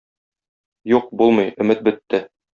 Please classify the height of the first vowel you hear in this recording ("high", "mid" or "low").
high